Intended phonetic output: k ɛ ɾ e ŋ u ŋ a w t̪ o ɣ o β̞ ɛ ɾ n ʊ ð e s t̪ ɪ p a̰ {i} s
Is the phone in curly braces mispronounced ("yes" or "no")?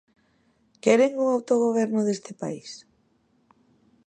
no